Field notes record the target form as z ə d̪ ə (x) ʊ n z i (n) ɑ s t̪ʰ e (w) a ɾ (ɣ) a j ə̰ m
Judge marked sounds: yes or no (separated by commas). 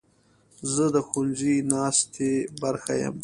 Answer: yes, yes, no, no